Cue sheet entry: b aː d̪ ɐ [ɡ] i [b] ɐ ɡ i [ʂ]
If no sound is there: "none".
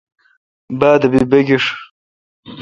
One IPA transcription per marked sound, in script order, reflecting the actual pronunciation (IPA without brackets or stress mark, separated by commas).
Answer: b, b, ʂ